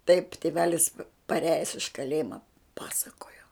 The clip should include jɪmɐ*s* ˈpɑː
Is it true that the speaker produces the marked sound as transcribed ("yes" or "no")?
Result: no